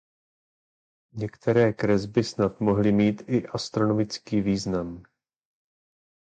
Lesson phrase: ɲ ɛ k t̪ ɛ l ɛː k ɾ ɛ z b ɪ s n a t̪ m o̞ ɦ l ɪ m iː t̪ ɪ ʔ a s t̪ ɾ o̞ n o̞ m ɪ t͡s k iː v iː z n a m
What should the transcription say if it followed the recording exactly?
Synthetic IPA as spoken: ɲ ɛ k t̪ ɛ ɾ ɛː k ɾ ɛ z b ɪ s n a t̪ m o̞ ɦ l ɪ m iː t̪ ɪ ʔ a s t̪ ɾ o̞ n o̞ m ɪ t͡s k iː v iː z n a m